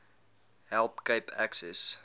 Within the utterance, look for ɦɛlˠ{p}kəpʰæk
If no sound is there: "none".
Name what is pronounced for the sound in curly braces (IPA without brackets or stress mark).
p